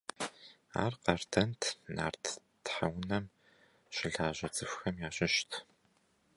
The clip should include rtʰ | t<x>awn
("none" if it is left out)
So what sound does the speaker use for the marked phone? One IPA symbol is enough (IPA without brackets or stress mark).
ħ